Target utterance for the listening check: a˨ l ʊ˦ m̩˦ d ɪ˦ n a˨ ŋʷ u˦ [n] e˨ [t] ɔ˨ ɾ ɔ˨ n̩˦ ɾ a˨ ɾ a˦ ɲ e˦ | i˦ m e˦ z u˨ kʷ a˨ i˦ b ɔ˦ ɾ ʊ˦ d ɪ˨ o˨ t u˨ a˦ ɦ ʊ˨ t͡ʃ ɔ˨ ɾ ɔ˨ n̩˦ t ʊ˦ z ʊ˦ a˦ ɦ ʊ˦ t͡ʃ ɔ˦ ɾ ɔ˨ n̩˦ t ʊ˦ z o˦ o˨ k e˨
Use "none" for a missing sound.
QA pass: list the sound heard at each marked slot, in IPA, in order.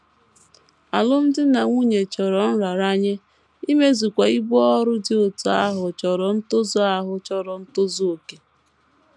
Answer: ɲ, t͡ʃ

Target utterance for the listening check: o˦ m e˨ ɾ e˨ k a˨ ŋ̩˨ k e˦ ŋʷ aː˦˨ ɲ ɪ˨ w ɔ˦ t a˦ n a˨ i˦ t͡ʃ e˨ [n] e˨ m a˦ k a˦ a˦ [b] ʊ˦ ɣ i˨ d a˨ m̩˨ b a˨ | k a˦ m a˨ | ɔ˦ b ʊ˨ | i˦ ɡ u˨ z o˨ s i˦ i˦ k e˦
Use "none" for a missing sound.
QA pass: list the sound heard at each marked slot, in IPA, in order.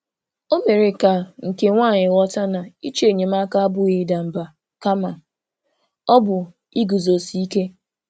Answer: ɲ, b

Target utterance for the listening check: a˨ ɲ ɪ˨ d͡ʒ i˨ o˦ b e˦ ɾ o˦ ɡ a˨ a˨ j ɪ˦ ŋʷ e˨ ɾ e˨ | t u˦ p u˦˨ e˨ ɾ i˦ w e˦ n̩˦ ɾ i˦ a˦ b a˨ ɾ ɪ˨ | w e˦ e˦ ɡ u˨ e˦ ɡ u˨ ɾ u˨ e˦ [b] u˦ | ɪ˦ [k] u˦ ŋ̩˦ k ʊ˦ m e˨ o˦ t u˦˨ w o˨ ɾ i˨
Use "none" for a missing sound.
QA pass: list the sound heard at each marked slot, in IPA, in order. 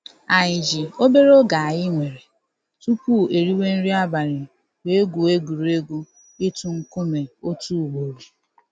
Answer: ɡ, t

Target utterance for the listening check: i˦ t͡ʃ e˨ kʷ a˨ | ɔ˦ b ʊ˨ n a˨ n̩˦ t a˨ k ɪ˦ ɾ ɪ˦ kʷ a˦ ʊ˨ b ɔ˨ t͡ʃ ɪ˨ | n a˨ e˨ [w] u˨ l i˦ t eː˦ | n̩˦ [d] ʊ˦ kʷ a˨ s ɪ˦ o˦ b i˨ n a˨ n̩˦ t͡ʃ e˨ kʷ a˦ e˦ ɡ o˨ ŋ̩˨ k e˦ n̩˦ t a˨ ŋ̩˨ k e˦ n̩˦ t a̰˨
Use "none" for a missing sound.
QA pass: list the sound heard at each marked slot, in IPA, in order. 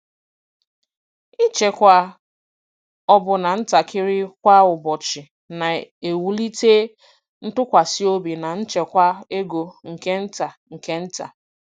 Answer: w, t

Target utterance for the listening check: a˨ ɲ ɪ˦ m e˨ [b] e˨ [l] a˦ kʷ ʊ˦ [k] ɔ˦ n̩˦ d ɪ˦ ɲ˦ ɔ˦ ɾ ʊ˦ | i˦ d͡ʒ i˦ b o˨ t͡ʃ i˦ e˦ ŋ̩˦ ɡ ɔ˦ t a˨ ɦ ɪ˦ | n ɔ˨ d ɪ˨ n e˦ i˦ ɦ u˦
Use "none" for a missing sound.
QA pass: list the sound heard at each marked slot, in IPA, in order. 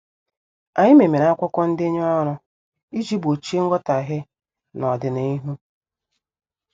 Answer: m, ɾ, k

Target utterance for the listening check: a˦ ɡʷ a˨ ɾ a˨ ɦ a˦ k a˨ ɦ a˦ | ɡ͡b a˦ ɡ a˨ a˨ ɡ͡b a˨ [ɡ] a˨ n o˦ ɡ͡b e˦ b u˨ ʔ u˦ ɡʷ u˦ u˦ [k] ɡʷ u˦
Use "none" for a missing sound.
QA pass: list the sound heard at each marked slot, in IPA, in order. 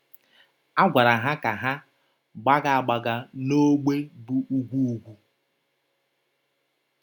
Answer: ɡ, none

